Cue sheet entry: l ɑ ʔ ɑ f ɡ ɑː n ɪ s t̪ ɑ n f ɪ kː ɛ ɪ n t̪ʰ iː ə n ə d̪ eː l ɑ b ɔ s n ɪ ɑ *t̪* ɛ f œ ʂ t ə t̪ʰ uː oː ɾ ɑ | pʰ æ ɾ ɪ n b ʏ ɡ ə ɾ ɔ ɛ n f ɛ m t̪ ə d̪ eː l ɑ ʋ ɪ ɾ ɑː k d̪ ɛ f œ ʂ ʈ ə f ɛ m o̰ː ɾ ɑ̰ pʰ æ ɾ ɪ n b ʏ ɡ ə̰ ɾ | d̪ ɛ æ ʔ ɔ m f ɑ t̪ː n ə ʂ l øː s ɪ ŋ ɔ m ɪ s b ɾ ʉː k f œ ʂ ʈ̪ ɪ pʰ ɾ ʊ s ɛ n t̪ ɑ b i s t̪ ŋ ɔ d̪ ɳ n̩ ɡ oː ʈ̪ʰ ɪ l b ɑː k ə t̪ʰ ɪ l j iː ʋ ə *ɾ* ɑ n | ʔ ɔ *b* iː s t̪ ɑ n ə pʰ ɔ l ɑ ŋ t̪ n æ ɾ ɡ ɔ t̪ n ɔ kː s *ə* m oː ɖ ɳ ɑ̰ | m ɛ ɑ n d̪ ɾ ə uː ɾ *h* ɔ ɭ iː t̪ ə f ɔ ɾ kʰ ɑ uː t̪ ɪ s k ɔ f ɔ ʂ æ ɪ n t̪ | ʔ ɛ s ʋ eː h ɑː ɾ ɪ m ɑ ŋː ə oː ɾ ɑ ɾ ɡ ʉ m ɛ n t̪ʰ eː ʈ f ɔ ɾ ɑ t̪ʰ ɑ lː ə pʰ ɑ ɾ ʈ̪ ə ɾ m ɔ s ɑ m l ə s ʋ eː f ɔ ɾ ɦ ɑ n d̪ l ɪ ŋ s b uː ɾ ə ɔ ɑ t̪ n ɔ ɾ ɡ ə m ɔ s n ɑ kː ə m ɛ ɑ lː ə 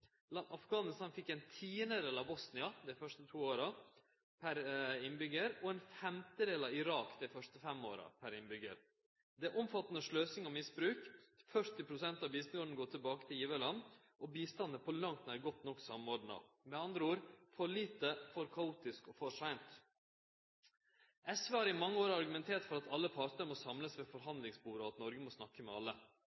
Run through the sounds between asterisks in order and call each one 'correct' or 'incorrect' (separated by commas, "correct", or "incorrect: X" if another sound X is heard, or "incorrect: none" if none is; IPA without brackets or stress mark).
incorrect: d̪, incorrect: l, correct, incorrect: ɑ, incorrect: f